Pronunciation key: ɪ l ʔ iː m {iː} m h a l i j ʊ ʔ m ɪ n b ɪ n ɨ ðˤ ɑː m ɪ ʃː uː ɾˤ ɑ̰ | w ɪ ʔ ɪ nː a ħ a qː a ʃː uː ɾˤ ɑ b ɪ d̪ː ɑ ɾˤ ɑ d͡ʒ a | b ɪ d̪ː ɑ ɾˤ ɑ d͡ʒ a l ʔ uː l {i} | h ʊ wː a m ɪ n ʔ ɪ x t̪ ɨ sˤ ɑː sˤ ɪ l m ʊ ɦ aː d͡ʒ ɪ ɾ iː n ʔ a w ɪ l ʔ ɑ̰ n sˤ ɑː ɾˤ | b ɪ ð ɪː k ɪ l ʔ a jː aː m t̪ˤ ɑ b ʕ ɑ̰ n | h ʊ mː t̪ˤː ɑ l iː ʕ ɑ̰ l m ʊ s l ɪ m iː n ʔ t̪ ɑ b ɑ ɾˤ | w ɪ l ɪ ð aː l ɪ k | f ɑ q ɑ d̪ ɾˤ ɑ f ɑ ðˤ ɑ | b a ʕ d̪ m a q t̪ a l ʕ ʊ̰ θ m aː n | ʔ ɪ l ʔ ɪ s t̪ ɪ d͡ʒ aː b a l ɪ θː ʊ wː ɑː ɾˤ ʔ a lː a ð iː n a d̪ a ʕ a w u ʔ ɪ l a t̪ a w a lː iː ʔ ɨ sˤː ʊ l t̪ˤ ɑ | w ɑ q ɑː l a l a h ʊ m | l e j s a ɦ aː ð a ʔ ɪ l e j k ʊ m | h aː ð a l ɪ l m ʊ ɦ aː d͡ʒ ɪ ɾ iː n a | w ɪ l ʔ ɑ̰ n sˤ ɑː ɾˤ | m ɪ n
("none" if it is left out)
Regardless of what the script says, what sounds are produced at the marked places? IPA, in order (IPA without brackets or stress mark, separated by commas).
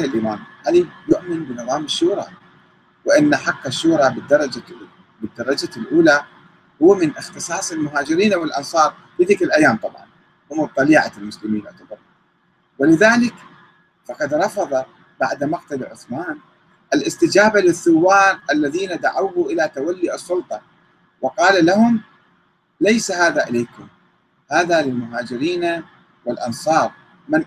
aː, a